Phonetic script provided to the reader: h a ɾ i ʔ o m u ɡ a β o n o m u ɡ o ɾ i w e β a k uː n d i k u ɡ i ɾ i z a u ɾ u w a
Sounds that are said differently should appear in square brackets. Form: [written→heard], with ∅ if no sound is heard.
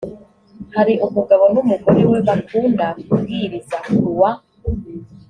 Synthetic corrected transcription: h a ɾ i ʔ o m u ɡ a β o n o m u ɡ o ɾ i w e β a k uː n d [i→a] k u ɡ i ɾ i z a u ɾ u w a